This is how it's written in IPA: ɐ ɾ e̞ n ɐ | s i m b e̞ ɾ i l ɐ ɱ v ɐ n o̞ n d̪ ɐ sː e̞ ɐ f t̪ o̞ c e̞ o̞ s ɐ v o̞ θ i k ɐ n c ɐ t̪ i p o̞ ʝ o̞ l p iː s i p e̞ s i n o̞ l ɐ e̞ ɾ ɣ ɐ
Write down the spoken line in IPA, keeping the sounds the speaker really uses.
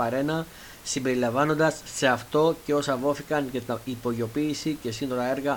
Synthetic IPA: ɐ ɾ e̞ n ɐ | s i m b e̞ ɾ i l ɐ ɱ v ɐ n o̞ n d̪ ɐ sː e̞ ɐ f t̪ o̞ c e̞ o̞ s ɐ v o̞ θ i k ɐ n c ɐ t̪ i p o̞ ʝ o̞ p iː s i c e̞ s i n o̞ ɾ ɐ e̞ ɾ ɣ ɐ